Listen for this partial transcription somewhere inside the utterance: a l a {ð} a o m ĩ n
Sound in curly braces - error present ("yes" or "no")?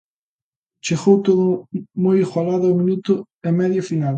no